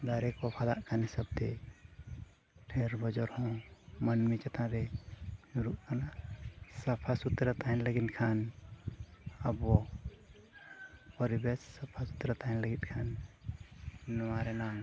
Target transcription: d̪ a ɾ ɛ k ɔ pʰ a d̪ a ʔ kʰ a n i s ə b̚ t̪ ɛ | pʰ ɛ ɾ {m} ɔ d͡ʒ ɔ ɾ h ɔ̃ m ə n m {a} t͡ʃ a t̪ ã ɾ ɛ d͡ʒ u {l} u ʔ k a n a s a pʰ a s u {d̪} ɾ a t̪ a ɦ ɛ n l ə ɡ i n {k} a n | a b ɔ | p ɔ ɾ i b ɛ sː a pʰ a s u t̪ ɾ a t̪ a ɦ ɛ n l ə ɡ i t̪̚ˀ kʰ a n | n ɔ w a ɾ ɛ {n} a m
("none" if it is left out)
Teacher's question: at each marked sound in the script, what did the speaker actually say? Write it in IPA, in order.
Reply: b, i, ɾ, t̪, kʰ, n

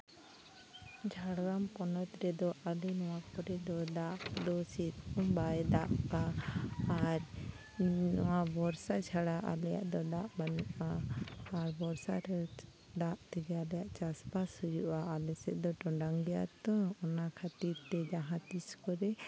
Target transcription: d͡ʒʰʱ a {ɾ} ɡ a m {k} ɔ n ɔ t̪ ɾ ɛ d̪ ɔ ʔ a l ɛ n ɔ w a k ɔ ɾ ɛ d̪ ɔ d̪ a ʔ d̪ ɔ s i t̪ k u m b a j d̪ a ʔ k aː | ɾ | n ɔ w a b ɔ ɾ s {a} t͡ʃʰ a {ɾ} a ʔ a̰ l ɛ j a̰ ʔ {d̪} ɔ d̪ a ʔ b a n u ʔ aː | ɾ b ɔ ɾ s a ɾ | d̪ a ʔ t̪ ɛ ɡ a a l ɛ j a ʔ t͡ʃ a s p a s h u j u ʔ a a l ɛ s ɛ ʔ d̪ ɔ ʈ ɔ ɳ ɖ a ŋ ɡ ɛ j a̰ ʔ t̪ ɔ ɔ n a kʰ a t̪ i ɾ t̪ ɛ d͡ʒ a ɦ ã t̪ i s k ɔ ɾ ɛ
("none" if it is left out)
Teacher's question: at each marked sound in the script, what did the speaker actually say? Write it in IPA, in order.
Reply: ɽ, k, a, ɽ, d̪

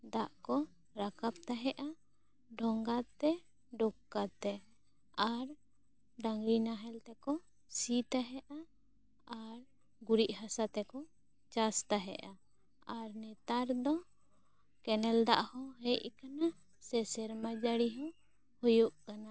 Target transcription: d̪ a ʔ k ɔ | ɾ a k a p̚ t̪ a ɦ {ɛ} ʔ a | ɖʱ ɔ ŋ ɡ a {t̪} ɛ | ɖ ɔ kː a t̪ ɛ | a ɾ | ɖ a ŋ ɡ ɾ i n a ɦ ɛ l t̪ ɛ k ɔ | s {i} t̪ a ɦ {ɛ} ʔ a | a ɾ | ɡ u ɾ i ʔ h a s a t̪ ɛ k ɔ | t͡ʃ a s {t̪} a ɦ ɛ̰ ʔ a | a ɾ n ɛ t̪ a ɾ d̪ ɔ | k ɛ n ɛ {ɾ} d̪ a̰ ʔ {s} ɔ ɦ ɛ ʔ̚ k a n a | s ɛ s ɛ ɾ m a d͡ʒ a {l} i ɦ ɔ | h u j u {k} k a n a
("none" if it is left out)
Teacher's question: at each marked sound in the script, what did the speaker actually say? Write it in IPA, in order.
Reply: ɛ, t̪, i, ɛ, t̪, l, h, ɽ, ʔ

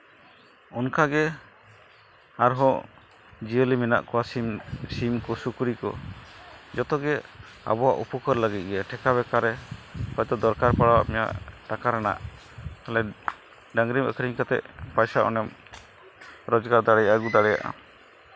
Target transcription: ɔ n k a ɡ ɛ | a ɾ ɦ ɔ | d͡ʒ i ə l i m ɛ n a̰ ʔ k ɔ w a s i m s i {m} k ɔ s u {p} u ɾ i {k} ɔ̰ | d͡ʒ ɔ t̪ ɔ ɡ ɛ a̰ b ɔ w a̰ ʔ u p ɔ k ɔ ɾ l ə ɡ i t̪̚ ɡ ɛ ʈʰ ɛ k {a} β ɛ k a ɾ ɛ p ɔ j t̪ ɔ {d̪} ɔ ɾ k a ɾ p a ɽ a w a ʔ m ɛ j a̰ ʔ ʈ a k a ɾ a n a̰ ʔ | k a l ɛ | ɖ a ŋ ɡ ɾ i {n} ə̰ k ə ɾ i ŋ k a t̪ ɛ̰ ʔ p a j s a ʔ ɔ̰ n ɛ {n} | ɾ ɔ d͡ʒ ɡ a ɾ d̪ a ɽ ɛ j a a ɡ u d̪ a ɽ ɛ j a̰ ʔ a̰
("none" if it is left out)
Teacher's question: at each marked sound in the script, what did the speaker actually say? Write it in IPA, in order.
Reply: m, k, k, a, d̪, m, m

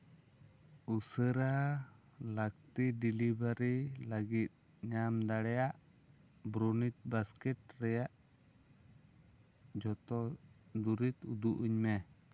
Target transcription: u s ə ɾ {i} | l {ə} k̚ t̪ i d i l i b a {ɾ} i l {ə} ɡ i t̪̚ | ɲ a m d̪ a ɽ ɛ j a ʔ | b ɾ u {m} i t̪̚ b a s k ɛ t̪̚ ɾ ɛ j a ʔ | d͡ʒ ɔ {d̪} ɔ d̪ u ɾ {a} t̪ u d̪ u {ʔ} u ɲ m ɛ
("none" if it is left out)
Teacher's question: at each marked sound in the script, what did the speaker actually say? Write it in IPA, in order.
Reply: a, a, ɾ, a, n, t̪, i, ʔ

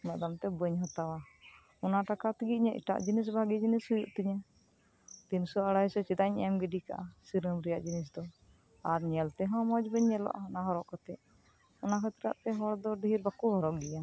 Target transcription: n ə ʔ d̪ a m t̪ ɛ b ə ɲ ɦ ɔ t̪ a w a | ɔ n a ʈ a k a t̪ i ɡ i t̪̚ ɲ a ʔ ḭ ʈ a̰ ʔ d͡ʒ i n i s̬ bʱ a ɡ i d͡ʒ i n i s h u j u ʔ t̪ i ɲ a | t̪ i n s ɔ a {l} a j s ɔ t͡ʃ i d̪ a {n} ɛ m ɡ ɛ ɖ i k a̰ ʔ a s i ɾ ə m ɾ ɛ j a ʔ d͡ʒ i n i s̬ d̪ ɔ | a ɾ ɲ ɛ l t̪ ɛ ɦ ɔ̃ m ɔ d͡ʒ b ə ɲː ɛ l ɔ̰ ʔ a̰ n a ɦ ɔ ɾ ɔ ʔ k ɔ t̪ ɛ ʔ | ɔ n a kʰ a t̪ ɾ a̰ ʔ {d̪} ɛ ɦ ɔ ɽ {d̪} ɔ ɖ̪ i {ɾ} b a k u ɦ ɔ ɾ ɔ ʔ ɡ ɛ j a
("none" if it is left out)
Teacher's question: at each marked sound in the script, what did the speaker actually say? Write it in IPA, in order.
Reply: ɽ, ɲ, t̪, d̪, ɾ

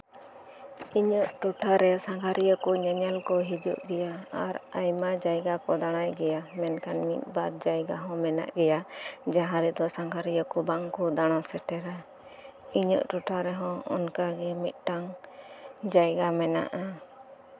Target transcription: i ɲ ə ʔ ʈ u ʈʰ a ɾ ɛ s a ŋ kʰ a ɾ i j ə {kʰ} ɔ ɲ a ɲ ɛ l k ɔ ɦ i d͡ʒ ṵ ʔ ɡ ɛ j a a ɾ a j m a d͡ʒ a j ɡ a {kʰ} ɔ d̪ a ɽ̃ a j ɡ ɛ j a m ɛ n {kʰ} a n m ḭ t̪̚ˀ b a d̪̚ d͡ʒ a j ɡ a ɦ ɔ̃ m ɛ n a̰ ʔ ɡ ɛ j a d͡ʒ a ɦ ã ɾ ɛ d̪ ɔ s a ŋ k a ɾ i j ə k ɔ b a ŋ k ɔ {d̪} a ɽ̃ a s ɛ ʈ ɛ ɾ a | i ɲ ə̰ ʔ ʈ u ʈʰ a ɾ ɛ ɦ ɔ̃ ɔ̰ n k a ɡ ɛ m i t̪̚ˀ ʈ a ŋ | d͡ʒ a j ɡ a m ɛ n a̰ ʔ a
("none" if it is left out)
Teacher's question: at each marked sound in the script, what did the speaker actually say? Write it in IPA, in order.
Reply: k, k, k, d̪

